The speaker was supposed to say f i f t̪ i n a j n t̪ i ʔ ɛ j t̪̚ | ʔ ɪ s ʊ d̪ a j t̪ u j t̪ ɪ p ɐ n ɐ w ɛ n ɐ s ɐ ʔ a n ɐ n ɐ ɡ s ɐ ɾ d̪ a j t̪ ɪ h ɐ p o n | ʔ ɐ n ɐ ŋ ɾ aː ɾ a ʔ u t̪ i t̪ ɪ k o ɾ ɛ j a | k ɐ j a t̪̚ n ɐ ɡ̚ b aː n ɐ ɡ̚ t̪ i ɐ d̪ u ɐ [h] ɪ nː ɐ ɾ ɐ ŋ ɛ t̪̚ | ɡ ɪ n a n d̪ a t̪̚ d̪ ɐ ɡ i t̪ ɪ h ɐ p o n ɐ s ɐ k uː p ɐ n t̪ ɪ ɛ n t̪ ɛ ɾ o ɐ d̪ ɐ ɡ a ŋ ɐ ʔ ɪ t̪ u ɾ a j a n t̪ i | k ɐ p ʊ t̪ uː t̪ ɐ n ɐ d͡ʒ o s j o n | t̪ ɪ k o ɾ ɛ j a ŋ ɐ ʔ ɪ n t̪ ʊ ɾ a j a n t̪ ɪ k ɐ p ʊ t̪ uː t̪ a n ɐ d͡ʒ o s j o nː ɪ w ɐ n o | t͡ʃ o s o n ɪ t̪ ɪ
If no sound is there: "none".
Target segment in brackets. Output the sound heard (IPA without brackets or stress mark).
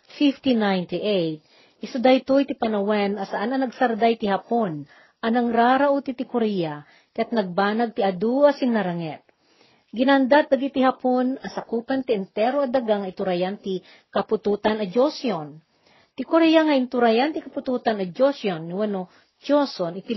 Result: s